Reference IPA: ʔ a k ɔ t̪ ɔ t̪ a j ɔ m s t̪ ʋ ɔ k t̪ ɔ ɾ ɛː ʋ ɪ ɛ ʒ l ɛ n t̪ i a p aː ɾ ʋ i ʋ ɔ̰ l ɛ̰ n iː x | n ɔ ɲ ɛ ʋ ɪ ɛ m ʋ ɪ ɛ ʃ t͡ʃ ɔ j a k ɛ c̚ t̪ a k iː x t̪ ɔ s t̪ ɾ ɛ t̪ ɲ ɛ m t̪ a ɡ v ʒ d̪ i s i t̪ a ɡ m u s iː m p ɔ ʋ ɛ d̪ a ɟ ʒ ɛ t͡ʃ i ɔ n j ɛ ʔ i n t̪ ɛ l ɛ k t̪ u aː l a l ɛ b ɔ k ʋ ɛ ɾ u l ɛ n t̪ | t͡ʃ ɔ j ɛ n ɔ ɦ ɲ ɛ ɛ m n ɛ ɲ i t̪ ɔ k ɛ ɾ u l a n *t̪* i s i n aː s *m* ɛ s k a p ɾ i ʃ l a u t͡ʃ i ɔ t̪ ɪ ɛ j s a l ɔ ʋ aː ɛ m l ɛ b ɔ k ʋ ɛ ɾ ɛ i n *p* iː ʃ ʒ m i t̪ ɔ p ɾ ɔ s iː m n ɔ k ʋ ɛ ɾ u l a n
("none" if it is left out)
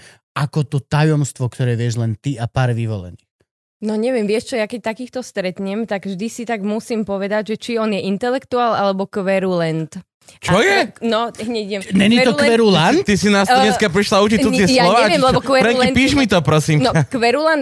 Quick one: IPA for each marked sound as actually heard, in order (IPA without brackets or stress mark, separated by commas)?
t̪, ɲ, p